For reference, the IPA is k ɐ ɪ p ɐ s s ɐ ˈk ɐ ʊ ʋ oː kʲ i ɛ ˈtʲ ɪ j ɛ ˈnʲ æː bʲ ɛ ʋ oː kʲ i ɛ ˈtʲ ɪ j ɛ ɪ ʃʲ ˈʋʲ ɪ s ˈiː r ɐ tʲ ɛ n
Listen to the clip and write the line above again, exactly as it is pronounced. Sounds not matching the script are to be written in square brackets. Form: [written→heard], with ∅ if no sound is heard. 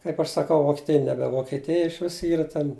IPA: k ɐ ɪ p ɐ [s→ʃ] s ɐ ˈk ɐ ʊ ʋ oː kʲ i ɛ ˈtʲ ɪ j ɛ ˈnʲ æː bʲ ɛ ʋ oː kʲ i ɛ ˈtʲ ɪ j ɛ ɪ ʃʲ ˈʋʲ ɪ s ˈiː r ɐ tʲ ɛ n